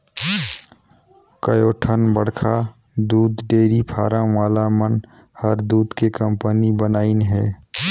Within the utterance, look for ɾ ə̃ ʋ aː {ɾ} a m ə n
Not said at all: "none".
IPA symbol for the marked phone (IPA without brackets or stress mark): l